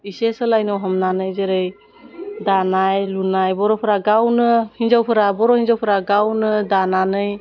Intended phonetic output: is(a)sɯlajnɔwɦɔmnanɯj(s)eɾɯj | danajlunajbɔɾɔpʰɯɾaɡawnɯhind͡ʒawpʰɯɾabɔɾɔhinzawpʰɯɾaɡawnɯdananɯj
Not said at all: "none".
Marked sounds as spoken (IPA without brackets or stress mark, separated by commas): e, z